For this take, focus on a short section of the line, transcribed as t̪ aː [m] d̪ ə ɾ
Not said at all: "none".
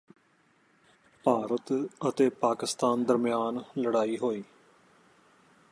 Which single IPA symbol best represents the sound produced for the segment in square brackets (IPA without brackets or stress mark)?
n